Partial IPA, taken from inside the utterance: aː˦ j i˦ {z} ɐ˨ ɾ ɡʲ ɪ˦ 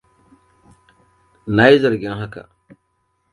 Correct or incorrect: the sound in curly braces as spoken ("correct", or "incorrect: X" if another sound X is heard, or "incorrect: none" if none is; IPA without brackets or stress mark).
correct